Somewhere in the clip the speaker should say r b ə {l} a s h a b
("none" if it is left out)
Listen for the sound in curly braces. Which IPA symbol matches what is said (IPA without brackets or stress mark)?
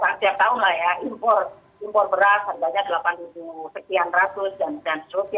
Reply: ɾ